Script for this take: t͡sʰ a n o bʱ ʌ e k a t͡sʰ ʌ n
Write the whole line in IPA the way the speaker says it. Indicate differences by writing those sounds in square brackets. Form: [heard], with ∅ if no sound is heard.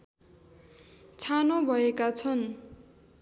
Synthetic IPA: t͡sʰ a n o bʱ ʌ e k a t͡sʰ ʌ n